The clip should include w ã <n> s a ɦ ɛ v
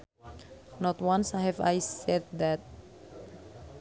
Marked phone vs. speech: correct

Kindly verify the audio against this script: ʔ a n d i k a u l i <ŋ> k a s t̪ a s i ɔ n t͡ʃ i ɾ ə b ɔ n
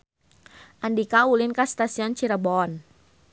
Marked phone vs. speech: incorrect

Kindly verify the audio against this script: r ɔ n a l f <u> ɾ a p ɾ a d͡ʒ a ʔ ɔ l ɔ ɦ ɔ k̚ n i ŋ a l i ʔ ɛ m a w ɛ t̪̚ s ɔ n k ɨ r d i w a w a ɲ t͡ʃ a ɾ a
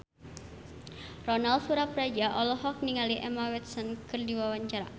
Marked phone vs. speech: correct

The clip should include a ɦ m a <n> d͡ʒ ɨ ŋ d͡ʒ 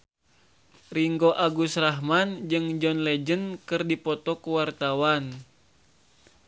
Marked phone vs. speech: correct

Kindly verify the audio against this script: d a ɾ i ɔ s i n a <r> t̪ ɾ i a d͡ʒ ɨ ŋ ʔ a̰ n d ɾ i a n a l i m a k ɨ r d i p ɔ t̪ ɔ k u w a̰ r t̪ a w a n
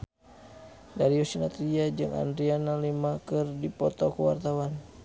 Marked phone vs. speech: incorrect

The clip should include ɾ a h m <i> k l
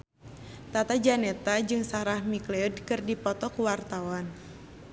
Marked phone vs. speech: correct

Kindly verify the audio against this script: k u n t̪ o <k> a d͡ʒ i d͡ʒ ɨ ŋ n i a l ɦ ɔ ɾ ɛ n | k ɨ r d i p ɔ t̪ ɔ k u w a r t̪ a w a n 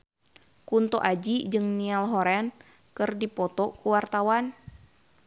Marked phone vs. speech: incorrect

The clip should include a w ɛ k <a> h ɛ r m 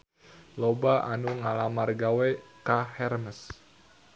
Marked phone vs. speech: correct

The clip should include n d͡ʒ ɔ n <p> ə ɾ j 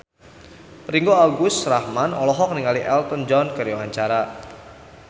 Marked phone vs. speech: incorrect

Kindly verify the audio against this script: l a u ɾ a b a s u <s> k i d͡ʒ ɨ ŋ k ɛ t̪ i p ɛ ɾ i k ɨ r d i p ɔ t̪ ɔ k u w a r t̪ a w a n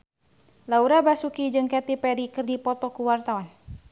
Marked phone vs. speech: incorrect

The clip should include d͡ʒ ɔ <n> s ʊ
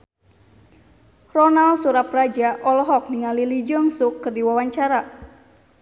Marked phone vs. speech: incorrect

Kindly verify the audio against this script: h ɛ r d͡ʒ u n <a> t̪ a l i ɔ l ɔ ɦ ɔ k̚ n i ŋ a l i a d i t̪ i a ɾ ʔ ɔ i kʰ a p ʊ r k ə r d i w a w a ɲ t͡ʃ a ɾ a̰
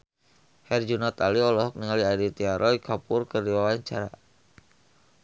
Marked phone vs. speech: correct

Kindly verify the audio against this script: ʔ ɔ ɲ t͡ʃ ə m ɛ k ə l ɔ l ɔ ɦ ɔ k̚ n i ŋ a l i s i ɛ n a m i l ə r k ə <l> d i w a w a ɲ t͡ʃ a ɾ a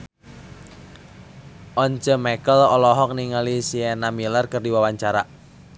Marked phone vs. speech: incorrect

